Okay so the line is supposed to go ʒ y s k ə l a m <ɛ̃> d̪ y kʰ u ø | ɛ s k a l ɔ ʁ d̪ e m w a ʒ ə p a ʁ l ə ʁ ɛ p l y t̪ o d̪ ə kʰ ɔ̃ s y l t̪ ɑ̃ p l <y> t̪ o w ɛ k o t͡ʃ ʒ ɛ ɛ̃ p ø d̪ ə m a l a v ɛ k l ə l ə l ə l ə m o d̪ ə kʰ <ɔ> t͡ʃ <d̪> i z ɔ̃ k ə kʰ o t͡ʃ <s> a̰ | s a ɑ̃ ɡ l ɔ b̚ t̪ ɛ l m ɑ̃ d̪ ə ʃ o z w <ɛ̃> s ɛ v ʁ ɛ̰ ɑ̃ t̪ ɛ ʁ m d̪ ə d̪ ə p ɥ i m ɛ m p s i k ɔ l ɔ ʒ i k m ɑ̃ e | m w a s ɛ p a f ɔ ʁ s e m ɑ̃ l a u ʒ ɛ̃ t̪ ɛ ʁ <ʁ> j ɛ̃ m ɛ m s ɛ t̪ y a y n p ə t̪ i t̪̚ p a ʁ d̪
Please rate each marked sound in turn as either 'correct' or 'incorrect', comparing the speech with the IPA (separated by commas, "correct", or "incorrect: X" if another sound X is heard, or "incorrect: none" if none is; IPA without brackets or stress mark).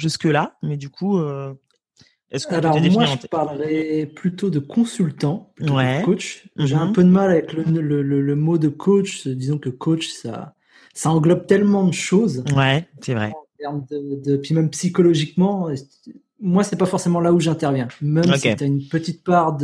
incorrect: ɛ, correct, incorrect: o, correct, correct, incorrect: ɛ, incorrect: v